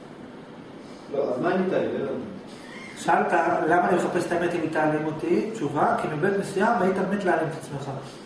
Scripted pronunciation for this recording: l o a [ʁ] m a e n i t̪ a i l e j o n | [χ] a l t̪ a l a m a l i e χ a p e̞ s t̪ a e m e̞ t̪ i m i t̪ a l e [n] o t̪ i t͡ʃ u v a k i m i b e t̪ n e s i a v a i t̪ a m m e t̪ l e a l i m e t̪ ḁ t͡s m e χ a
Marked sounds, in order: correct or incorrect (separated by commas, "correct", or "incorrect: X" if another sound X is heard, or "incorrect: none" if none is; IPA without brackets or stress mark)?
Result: incorrect: z, incorrect: ʃ, incorrect: m